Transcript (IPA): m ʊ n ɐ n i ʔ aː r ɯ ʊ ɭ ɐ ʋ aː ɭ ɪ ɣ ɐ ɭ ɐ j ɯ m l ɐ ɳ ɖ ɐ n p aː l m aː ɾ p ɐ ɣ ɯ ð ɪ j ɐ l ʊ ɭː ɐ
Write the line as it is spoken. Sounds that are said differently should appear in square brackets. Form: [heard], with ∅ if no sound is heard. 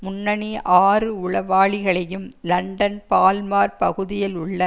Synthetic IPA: m ʊ [nː] ɐ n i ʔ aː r ɯ ʊ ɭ ɐ ʋ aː ɭ ɪ ɣ ɐ ɭ ɐ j ɯ m l ɐ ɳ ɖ ɐ n p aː l m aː ɾ p ɐ ɣ ɯ ð ɪ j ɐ l ʊ ɭː ɐ